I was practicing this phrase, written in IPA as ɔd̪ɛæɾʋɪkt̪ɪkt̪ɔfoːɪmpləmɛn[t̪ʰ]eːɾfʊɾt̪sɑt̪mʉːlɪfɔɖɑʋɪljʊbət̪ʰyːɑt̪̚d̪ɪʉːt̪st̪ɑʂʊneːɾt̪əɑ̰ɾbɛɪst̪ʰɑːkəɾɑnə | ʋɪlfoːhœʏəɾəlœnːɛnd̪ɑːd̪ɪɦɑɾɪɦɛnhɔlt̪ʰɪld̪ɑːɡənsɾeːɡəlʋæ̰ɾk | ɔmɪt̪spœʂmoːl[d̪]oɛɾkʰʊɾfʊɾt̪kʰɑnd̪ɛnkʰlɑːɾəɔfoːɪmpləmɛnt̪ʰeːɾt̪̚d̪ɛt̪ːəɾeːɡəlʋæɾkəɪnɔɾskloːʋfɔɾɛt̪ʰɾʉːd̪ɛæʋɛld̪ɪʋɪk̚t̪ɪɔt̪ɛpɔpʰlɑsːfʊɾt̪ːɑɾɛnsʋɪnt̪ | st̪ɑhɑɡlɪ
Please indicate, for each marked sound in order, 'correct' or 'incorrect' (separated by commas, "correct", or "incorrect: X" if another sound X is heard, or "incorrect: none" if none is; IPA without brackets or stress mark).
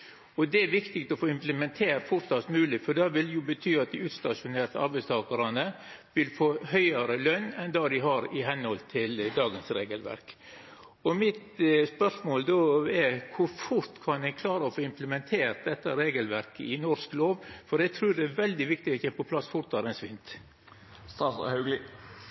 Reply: correct, correct